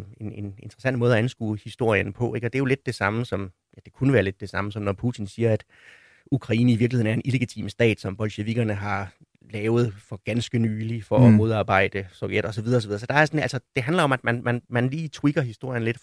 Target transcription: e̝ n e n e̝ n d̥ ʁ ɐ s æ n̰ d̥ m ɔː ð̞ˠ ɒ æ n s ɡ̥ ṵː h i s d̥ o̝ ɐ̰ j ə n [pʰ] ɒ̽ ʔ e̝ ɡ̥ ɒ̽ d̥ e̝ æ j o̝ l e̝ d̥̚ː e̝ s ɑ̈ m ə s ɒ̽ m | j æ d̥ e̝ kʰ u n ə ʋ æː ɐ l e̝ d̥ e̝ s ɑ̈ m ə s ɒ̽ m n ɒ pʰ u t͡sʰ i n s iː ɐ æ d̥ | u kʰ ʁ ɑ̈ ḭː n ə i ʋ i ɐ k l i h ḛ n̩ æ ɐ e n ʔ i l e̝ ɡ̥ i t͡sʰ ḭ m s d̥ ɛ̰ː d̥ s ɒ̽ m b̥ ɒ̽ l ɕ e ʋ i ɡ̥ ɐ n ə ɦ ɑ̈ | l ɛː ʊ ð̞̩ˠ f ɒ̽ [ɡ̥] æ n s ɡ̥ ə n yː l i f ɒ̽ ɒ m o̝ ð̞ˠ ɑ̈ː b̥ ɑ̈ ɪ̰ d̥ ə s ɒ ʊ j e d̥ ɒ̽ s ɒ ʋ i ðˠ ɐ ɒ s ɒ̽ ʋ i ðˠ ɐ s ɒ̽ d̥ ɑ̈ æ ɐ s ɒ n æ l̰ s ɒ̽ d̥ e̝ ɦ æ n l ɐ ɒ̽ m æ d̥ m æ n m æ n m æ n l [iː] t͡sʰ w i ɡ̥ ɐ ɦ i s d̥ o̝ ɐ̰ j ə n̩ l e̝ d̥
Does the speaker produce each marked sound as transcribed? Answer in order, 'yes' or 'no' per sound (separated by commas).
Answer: yes, yes, yes